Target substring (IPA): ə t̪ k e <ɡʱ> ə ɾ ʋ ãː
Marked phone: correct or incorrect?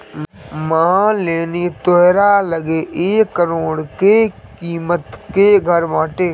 correct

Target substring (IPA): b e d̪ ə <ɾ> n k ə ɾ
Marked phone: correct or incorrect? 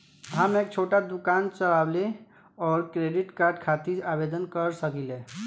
incorrect: none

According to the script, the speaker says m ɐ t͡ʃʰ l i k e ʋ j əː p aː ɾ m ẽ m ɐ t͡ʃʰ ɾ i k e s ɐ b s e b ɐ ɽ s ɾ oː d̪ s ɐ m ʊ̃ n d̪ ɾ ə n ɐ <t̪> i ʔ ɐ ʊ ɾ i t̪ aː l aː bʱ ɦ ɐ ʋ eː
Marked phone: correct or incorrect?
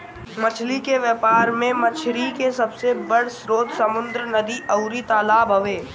incorrect: d̪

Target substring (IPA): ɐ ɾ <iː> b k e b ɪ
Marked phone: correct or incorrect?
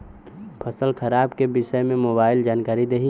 incorrect: aː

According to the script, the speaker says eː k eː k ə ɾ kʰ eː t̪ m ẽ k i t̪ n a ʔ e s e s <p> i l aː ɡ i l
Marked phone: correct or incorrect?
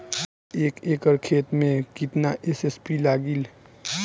correct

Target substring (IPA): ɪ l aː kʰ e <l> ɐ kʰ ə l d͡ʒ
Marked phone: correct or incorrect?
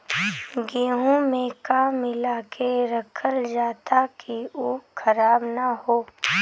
incorrect: ɾ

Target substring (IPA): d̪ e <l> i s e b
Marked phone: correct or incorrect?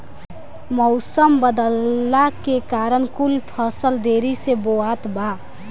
incorrect: ɾ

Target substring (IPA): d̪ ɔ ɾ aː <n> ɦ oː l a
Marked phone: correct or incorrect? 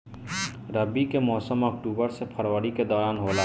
correct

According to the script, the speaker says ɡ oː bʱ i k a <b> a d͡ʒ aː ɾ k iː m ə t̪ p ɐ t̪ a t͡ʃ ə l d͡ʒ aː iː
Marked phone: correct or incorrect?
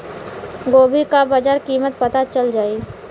correct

